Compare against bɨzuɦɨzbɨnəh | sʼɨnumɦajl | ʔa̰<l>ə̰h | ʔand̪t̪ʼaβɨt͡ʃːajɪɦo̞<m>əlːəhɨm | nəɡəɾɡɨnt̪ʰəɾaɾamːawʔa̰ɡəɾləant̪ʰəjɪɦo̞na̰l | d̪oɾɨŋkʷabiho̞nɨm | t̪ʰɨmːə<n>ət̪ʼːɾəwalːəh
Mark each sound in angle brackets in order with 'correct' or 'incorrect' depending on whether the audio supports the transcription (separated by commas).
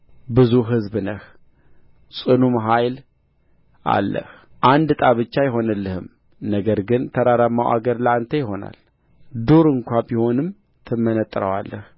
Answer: incorrect, incorrect, correct